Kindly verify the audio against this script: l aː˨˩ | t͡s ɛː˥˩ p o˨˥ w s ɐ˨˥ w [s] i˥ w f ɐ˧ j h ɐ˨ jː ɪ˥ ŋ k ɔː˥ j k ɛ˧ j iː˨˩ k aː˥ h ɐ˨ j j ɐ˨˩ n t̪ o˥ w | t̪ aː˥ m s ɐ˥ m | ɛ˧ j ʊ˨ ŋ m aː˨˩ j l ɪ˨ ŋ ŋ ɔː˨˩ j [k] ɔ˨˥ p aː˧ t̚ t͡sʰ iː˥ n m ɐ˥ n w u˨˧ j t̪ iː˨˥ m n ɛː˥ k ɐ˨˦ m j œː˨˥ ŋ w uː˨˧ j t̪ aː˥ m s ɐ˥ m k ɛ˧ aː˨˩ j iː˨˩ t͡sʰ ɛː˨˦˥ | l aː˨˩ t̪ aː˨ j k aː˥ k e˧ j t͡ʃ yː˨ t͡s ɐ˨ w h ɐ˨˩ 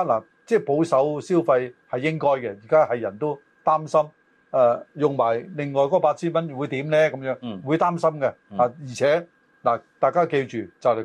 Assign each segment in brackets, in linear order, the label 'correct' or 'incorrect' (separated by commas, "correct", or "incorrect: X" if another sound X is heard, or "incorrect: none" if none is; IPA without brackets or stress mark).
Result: correct, correct